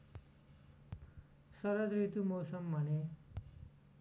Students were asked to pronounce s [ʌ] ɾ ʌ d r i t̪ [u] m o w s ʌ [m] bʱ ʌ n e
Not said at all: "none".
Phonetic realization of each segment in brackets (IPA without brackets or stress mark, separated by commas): ʌ, u, m